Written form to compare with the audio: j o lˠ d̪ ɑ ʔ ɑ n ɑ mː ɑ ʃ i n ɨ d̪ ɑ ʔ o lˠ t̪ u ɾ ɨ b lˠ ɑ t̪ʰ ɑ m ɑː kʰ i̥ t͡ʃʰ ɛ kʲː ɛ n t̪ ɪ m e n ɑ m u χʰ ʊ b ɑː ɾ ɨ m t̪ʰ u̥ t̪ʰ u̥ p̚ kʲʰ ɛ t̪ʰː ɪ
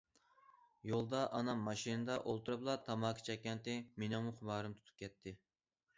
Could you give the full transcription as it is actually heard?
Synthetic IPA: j o lˠ d̪ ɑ ʔ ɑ n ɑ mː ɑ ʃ i n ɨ d̪ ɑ ʔ o lˠ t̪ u ɾ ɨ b lˠ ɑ t̪ʰ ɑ m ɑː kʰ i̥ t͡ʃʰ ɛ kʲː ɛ n t̪ ɪ m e n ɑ m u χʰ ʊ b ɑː ɾ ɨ m t̪ʰ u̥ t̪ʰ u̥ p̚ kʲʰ ɛ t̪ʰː ɪ